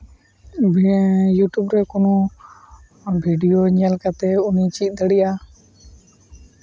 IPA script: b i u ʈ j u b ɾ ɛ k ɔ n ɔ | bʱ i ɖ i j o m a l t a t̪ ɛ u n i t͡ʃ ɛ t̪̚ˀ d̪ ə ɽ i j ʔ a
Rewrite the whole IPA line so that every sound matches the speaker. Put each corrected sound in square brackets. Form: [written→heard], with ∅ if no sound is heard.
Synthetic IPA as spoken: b [i→j] u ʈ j u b ɾ ɛ k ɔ n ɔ | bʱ i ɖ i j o [m→ɲ] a l [t→k] a t̪ ɛ u n i t͡ʃ [ɛ→i] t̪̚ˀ d̪ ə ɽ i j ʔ a

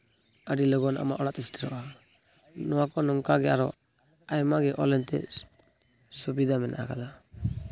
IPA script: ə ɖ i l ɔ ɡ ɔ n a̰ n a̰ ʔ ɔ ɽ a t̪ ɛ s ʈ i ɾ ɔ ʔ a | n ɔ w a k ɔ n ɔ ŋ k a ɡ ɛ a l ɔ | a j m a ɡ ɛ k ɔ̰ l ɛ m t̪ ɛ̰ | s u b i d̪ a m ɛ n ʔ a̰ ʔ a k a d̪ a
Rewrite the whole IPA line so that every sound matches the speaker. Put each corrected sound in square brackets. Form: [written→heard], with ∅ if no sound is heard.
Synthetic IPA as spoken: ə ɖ i l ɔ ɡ ɔ n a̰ [n→m] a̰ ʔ ɔ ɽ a t̪ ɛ s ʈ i ɾ ɔ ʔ a | n ɔ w a k ɔ n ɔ ŋ k a ɡ ɛ a [l→ɾ] ɔ | a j m a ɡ ɛ [k→ʔ] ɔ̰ l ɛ [m→n] t̪ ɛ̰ | s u b i d̪ a m ɛ n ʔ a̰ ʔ a k a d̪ a

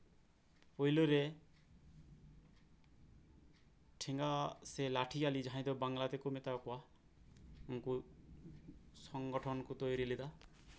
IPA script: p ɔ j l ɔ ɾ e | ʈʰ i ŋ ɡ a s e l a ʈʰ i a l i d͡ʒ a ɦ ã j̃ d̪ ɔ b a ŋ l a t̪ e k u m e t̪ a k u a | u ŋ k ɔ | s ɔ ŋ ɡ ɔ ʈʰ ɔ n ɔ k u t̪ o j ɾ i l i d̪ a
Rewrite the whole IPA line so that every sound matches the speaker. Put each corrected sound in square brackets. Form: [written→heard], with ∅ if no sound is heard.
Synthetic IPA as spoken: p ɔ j l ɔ ɾ e | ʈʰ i ŋ ɡ a s e l a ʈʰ i a l i d͡ʒ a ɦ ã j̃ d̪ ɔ b a ŋ l a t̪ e k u m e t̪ a k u a | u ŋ k [ɔ→u] | s ɔ ŋ ɡ ɔ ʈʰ ɔ n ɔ k u t̪ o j ɾ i l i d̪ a

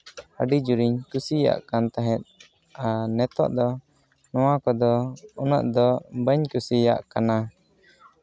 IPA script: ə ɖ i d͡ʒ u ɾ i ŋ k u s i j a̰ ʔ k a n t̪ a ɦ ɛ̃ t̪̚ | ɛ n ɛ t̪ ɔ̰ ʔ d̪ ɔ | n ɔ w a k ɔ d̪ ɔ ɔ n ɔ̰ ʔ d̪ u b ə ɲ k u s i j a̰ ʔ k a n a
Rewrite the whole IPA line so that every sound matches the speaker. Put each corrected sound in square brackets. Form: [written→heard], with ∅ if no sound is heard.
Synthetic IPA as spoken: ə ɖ i d͡ʒ u ɾ i [ŋ→ɲ] k u s i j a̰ ʔ k a n t̪ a ɦ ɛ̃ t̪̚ | [ɛ→a] n ɛ t̪ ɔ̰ ʔ d̪ ɔ | n ɔ w a k ɔ d̪ ɔ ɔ n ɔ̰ ʔ d̪ [u→ɔ] b ə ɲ k u s i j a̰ ʔ k a n a

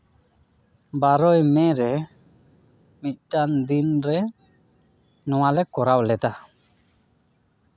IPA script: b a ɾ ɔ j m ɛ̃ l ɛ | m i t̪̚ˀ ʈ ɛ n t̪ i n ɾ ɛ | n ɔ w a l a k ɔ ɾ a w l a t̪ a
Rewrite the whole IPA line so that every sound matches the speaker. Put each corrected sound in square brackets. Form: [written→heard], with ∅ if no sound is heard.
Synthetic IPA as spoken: b a ɾ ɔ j m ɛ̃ [l→ɾ] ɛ | m i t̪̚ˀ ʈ [ɛ→a] n [t̪→d̪] i n ɾ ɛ | n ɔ w a l [a→ɛ] k ɔ ɾ a w l [a→ɛ] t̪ a

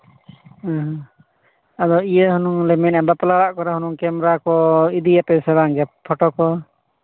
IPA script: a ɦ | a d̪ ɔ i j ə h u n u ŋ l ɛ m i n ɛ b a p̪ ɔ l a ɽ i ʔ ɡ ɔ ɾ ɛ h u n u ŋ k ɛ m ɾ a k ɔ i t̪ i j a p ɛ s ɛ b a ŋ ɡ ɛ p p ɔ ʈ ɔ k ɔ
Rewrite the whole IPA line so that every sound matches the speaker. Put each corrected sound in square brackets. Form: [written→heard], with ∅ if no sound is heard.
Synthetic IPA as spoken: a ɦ | a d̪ ɔ i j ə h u n u ŋ l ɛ m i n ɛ b a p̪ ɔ l a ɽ [i→a] ʔ [ɡ→k] ɔ ɾ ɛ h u n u ŋ k ɛ m ɾ a k ɔ i [t̪→d̪] i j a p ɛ s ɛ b a ŋ ɡ ɛ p [p→pʰ] ɔ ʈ ɔ k ɔ

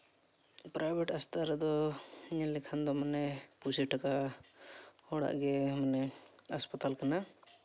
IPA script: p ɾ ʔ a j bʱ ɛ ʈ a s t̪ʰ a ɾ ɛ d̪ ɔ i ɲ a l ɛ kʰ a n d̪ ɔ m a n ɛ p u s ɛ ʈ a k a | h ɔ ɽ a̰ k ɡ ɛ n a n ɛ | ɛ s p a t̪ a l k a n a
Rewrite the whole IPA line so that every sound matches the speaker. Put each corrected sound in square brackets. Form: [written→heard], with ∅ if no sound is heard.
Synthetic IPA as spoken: p ɾ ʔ a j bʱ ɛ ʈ a s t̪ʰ a ɾ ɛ d̪ ɔ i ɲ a l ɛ kʰ a n d̪ ɔ m a n ɛ p u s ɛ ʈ a k a | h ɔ ɽ a̰ [k→ʔ] ɡ ɛ [n→m] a n ɛ | [ɛ→a] s p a t̪ a l k a n a

